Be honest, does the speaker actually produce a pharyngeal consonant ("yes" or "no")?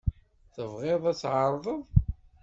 yes